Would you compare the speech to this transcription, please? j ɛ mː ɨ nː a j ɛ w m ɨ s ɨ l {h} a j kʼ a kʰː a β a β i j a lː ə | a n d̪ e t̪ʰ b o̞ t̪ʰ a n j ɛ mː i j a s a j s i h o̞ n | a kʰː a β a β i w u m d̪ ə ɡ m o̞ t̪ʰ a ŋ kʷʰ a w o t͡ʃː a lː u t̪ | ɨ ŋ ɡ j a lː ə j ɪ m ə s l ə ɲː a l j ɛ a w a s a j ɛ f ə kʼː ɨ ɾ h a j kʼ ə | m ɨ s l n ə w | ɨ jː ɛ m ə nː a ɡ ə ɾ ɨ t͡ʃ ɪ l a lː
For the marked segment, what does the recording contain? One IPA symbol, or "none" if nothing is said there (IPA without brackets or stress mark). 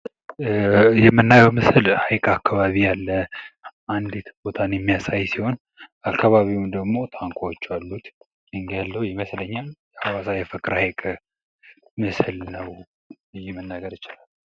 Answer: h